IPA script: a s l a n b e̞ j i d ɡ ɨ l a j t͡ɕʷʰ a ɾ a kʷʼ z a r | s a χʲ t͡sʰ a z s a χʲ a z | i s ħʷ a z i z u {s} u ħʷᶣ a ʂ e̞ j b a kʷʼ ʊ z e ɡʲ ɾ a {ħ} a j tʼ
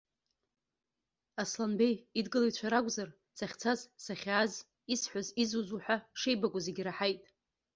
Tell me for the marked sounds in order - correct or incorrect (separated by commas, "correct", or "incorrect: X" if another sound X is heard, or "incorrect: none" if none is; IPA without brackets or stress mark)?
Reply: incorrect: z, correct